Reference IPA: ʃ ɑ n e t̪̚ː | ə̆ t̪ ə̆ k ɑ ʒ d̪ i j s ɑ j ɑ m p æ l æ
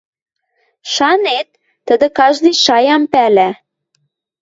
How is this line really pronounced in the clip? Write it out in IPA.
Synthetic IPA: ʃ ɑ n e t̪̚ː | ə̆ d̪ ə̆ k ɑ ʒ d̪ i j ʃ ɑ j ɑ m p æ l æ